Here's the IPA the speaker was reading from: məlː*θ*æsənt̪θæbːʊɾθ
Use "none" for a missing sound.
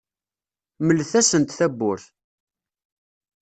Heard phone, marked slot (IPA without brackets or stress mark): θ